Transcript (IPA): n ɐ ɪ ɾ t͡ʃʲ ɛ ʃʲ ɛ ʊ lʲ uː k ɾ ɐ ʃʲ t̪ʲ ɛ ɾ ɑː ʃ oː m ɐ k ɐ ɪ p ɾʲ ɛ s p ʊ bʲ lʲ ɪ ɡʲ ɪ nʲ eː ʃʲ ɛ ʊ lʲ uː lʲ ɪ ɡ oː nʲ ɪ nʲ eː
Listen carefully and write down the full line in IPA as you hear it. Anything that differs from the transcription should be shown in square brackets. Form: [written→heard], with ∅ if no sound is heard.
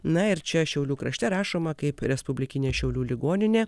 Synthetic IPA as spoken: n ɐ ɪ ɾ t͡ʃʲ ɛ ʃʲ ɛ ʊ lʲ uː k ɾ ɐ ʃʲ t̪ʲ ɛ ɾ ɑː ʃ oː m ɐ k ɐ ɪ p ɾʲ ɛ s p ʊ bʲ lʲ ɪ [ɡʲ→kʲ] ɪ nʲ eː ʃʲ ɛ ʊ lʲ uː lʲ ɪ ɡ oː nʲ ɪ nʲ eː